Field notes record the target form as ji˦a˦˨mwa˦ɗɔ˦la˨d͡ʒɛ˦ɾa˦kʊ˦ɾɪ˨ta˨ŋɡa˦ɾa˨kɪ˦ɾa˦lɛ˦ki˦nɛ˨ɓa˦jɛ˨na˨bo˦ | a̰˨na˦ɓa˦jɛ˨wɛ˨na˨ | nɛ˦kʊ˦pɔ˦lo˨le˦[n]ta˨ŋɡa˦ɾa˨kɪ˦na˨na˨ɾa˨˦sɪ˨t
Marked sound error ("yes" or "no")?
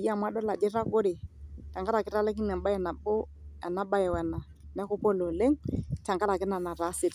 yes